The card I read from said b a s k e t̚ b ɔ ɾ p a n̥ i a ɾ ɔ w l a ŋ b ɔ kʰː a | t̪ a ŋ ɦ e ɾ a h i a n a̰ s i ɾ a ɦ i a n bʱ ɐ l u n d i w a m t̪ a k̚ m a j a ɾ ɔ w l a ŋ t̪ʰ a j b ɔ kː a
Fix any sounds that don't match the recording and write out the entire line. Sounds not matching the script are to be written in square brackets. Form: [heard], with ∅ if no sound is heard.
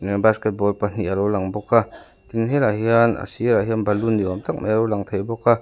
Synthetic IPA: b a s k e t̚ b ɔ [l] p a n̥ i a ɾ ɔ w l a ŋ b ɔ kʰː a | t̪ [i] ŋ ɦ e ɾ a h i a n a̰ s i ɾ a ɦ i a n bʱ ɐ l u n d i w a m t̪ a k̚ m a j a ɾ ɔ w l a ŋ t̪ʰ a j b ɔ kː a